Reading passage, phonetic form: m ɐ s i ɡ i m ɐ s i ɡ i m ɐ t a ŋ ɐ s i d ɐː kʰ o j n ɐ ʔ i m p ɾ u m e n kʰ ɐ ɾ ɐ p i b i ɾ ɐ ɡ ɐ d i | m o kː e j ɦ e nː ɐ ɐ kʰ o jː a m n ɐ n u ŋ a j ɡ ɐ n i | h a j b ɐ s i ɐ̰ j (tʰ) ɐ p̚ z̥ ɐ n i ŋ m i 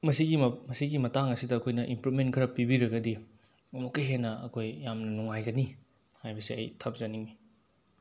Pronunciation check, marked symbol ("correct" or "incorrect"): correct